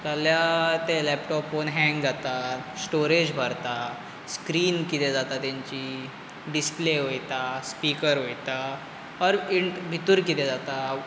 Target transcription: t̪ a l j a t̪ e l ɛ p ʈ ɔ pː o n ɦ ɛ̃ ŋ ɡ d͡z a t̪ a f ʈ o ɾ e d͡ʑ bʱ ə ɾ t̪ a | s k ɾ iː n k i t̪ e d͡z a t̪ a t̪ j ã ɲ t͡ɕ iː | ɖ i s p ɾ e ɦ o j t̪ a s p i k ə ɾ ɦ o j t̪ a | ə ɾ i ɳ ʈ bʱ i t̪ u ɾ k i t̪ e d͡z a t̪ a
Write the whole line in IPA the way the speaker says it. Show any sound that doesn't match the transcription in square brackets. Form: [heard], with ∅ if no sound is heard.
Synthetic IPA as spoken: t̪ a l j a t̪ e l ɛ p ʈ ɔ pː o n ɦ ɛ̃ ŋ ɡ d͡z a t̪ a [s] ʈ o ɾ e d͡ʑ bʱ ə ɾ t̪ a | s k ɾ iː n k i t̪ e d͡z a t̪ a t̪ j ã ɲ t͡ɕ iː | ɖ i s p [l] e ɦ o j t̪ a s p i k ə ɾ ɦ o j t̪ a | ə ɾ i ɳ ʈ bʱ i t̪ u ɾ k i t̪ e d͡z a t̪ a